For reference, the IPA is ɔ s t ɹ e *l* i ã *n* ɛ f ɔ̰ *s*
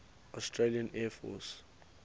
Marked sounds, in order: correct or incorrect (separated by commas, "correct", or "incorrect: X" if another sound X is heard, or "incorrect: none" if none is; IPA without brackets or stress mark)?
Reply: correct, correct, correct